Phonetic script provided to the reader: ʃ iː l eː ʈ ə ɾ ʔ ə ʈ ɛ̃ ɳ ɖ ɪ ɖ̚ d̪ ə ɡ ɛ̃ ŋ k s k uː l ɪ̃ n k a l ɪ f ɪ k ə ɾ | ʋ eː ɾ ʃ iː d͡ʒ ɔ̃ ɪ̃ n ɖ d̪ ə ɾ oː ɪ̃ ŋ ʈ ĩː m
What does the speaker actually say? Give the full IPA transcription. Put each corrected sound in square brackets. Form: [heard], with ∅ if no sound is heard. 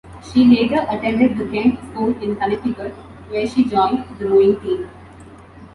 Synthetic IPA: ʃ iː l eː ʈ ə ɾ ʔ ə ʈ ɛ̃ ɳ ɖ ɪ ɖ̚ d̪ ə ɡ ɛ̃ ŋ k s k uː l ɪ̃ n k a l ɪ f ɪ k ə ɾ | ʋ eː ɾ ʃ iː d͡ʒ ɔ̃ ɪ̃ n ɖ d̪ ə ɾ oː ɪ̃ ŋ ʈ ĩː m